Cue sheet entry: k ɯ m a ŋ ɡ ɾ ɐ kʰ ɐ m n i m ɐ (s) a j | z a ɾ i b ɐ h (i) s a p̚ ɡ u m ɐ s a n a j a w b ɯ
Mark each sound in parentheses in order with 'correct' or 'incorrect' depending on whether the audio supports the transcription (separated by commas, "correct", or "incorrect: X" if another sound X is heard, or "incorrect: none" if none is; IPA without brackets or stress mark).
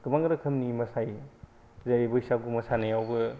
correct, correct